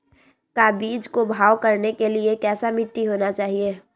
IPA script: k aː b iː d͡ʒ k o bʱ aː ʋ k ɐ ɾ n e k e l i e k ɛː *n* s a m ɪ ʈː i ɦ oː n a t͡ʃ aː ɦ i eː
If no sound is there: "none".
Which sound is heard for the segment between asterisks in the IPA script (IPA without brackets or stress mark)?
none